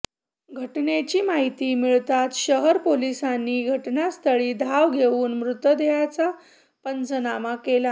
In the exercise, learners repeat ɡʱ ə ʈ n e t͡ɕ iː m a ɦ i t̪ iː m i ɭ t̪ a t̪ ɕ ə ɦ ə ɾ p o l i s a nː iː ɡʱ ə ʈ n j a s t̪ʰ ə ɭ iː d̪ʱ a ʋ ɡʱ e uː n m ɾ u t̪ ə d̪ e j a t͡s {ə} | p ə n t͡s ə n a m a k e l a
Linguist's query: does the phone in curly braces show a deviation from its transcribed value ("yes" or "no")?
yes